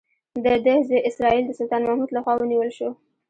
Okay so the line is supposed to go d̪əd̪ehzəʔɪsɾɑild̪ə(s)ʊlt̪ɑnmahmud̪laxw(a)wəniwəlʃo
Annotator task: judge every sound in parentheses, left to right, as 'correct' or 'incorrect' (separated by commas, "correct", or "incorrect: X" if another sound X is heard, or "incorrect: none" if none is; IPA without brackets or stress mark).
correct, incorrect: ɑ